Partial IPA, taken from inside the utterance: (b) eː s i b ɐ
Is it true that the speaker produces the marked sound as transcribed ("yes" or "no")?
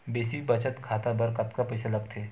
yes